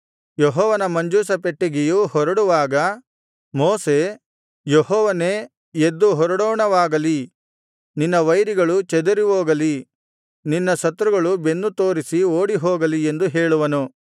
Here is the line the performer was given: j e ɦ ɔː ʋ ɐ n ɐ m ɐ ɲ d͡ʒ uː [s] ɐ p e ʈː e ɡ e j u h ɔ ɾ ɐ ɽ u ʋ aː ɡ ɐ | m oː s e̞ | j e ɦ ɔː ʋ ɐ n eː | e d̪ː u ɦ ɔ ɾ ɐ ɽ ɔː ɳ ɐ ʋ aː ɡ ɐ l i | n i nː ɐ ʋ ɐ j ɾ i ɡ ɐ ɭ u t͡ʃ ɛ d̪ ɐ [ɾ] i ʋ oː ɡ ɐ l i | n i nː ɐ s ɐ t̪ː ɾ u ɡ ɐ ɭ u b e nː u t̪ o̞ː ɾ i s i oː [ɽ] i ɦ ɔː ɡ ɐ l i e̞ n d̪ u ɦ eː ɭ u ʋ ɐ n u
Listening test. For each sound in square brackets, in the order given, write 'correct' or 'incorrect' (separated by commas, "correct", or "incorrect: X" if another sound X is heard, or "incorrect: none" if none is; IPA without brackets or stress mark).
correct, correct, correct